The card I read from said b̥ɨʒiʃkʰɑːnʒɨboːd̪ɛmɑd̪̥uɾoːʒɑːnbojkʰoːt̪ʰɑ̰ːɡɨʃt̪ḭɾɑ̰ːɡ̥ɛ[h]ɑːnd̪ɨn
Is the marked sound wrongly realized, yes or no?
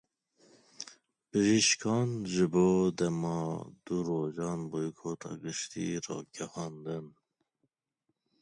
no